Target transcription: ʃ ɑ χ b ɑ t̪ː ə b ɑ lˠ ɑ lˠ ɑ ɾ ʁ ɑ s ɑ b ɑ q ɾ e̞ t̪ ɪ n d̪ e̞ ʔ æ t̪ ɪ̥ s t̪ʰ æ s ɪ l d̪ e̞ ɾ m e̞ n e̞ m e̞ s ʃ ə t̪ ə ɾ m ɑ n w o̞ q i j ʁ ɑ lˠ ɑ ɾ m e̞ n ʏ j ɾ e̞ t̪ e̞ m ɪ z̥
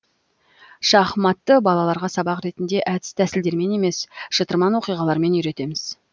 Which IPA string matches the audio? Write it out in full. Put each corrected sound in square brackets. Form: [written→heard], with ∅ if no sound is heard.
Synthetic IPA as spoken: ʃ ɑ χ [b→m] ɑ t̪ː ə b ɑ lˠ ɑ lˠ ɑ ɾ ʁ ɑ s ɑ b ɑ q ɾ e̞ t̪ ɪ n d̪ e̞ ʔ æ t̪ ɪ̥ s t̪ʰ æ s ɪ l d̪ e̞ ɾ m e̞ n e̞ m e̞ s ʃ ə t̪ ə ɾ m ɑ n w o̞ q i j ʁ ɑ lˠ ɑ ɾ m e̞ n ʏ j ɾ e̞ t̪ e̞ m ɪ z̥